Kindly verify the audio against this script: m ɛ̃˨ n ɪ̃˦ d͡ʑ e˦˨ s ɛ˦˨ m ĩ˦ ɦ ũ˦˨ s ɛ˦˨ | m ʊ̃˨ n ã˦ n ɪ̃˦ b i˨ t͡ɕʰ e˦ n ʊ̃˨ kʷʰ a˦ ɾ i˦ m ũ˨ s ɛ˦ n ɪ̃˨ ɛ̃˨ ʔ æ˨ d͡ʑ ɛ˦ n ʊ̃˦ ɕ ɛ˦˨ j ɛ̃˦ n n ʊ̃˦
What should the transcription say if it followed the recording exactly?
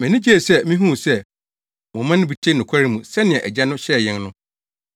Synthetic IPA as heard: m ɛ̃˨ n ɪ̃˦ d͡ʑ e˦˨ s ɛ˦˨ m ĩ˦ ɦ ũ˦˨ s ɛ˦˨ | m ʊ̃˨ m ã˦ n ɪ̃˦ b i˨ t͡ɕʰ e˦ n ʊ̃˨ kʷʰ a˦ ɾ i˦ m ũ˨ s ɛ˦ n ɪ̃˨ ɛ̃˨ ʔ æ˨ d͡ʑ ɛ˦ n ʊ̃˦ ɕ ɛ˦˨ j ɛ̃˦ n n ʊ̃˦